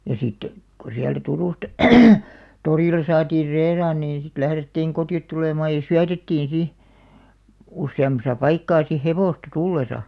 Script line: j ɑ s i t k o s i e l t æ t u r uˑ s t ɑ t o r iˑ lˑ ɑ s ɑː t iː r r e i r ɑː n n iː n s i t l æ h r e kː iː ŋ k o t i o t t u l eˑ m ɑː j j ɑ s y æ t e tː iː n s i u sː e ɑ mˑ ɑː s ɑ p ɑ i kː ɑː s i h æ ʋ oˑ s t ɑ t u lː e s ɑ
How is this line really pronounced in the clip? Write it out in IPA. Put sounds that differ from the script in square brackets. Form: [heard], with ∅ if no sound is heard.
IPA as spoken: j ɑ s i t k o s i [æ] l t æ t u r uˑ s t ɑ t o r iˑ lˑ ɑ s ɑː t iː r r e i r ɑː n n iː n s i t l æ h r e [tː] iː ŋ k o t i o t t u l eˑ m ɑː j j ɑ s y æ t e tː iː n s i u sː e ɑ mˑ [ɑ] s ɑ p ɑ i kː ɑː s i h [e] ʋ oˑ s t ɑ t u lː e s ɑ